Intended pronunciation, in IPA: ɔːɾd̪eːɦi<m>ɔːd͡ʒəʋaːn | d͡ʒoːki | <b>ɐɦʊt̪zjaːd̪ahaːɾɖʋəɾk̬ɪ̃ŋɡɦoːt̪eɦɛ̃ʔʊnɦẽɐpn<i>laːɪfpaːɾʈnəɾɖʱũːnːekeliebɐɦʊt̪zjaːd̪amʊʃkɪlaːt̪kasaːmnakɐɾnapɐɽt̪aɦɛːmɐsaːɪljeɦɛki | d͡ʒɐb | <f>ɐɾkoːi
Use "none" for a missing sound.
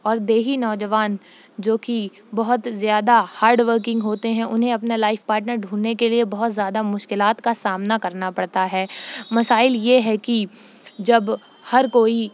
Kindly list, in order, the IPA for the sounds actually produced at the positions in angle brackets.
n, b, a, h

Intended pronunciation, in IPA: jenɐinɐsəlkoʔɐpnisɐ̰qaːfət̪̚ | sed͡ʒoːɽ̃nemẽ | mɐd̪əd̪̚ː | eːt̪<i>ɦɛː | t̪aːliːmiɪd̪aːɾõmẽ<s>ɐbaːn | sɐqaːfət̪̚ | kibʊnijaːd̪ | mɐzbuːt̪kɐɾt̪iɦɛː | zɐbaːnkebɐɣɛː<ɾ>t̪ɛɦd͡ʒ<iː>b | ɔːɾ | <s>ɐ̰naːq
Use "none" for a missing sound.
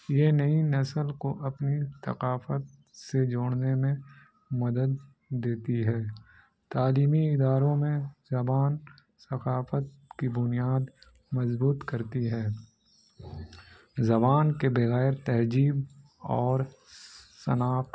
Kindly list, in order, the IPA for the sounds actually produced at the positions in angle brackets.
i, z, ɾ, iː, s

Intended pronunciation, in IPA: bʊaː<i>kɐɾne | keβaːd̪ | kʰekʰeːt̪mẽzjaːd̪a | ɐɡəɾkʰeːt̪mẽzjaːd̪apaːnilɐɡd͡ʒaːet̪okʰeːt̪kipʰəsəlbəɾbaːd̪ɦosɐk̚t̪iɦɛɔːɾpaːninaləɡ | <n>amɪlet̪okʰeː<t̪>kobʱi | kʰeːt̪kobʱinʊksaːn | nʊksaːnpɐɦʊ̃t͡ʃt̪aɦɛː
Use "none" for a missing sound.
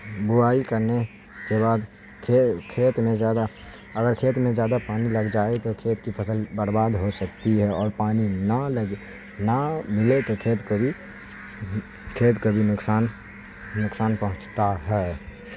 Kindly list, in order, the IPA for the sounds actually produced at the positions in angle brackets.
i, n, t̪

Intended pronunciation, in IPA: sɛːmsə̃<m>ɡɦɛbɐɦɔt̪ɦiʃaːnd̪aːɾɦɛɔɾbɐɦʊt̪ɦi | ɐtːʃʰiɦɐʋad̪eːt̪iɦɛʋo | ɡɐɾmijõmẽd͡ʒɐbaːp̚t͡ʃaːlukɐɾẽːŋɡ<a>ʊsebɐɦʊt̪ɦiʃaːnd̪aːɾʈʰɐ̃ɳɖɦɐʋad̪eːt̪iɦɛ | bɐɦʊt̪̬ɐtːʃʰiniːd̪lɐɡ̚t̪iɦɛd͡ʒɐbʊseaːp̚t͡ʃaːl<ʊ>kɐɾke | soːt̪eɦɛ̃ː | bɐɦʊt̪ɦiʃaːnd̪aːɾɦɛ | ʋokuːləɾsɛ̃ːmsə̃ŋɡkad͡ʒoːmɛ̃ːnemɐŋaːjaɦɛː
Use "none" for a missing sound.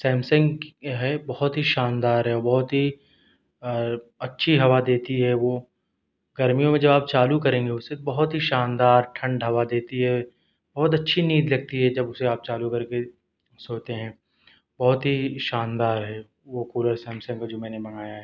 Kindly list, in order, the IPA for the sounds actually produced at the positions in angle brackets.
ŋ, e, u

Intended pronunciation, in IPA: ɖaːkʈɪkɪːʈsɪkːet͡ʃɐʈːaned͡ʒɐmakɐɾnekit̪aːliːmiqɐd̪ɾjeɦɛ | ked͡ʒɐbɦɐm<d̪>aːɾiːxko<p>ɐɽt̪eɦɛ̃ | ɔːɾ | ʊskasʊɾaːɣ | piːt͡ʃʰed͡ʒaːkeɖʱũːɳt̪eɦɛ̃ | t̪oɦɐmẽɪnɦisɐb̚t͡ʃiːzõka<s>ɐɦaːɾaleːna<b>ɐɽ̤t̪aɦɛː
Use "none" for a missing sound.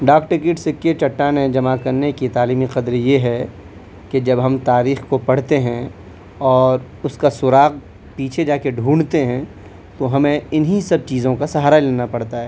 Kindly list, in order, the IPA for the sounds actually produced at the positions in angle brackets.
t̪, p, s, p

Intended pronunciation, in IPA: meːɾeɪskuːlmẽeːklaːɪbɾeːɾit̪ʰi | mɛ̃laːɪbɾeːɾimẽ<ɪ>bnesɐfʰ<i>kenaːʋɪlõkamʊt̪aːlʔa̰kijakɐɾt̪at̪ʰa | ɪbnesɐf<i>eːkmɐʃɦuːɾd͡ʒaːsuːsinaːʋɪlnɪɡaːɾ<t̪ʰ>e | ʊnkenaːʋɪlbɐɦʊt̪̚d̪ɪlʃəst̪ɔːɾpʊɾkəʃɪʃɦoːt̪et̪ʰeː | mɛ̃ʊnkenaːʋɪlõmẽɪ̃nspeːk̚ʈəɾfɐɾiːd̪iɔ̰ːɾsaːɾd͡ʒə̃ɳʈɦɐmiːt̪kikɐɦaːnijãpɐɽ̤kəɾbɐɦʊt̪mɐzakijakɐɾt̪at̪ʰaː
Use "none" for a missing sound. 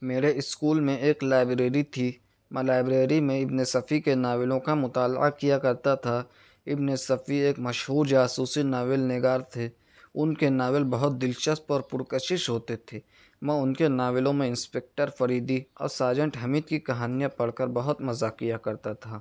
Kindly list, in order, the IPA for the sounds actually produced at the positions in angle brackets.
ɪ, i, i, t̪ʰ

